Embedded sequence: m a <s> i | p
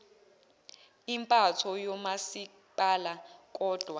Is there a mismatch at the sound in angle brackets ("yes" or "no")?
no